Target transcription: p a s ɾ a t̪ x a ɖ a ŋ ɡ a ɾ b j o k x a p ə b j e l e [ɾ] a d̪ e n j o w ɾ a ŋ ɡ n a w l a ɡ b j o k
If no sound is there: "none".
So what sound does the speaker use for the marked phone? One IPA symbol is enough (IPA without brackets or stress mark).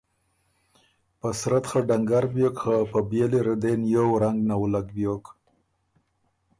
ɾ